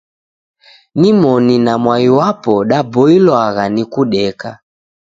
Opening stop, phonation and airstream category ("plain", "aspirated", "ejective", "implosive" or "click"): plain